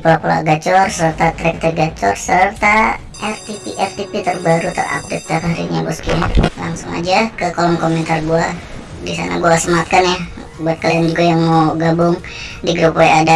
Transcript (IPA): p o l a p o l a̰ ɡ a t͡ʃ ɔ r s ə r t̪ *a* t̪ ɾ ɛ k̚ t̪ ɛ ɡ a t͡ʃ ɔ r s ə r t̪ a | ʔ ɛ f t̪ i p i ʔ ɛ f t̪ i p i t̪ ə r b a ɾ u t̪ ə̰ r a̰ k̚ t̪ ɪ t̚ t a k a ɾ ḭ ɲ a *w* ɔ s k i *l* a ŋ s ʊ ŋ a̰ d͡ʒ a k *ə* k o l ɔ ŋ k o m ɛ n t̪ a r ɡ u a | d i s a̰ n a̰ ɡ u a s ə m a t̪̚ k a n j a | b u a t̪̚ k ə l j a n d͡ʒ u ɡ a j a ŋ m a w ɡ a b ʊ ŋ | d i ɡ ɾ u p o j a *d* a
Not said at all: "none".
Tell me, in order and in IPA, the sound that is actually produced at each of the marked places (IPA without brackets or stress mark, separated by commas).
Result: a, b, l, ə, d